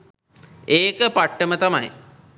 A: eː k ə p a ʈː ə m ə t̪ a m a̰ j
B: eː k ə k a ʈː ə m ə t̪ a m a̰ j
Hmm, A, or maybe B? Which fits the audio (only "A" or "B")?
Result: A